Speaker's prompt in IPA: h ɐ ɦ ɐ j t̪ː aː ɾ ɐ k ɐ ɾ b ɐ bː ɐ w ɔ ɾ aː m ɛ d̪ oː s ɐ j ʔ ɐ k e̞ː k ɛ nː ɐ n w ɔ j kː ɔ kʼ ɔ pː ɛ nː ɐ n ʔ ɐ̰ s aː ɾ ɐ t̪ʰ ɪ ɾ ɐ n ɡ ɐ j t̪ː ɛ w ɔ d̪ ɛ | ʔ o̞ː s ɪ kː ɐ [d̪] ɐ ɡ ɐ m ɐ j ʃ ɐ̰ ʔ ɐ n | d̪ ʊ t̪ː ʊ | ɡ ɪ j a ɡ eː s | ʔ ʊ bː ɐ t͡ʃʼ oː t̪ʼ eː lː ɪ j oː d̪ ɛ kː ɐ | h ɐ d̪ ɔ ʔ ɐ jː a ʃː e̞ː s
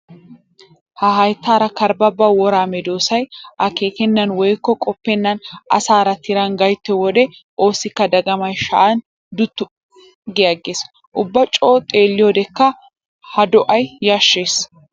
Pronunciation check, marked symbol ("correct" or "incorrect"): correct